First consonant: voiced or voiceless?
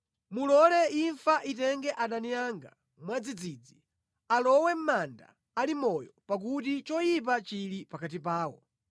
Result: voiced